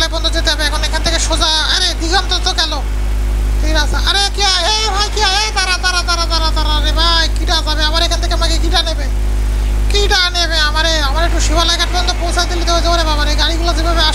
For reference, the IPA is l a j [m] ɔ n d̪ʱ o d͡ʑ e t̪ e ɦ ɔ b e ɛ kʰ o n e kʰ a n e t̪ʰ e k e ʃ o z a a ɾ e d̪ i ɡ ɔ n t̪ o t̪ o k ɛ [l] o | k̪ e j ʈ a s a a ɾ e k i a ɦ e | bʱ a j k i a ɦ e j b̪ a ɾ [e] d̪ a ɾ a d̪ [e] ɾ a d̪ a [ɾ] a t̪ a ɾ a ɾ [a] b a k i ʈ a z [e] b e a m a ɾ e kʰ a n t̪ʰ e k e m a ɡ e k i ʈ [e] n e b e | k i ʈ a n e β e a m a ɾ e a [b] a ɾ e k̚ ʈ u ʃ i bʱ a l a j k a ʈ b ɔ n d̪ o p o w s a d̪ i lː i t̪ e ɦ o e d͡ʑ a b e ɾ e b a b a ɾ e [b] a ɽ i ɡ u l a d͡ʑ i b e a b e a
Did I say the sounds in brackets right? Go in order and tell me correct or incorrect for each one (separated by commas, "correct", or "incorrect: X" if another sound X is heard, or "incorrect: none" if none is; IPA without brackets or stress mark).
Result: incorrect: b, correct, incorrect: a, incorrect: a, correct, incorrect: e, incorrect: a, incorrect: a, incorrect: m, incorrect: ɡ